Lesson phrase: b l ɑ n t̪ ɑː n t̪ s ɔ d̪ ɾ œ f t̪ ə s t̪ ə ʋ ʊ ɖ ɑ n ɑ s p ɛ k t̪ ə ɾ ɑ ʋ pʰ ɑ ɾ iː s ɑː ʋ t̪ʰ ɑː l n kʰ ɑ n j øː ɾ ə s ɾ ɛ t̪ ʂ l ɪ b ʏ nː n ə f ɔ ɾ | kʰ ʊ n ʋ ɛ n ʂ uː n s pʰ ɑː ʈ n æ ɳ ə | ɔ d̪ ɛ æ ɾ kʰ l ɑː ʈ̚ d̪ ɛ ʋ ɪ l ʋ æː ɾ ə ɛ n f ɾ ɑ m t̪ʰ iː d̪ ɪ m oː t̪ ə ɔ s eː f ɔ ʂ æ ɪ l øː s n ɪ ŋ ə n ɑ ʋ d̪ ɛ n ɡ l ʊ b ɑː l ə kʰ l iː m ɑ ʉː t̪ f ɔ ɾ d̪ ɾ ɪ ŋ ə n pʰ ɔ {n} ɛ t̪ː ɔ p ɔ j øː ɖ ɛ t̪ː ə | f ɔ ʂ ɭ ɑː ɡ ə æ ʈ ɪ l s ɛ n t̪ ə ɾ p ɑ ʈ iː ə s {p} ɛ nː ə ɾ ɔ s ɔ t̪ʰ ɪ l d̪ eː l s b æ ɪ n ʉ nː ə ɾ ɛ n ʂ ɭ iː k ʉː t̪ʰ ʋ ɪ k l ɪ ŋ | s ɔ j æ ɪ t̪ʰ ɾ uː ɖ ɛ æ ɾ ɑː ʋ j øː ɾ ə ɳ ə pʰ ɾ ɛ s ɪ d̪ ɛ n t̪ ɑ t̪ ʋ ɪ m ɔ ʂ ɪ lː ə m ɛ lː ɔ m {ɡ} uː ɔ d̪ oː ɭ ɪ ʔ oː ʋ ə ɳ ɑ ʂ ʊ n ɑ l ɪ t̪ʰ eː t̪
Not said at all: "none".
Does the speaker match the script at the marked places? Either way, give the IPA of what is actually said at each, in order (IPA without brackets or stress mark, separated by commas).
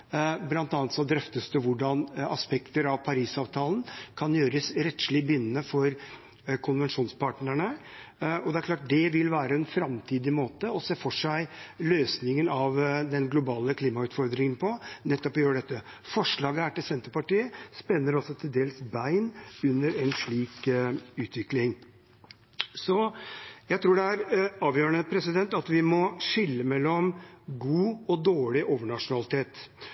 n, p, ɡ